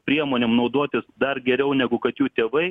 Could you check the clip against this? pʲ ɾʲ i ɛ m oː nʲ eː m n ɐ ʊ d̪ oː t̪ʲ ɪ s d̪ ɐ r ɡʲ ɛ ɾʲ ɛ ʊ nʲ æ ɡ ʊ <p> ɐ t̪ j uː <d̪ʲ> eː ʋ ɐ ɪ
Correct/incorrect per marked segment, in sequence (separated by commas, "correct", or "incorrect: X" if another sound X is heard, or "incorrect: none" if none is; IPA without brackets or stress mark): incorrect: k, incorrect: t̪ʲ